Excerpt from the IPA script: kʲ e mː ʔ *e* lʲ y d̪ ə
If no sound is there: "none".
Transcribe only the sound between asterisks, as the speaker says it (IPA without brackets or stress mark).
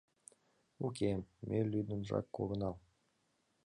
e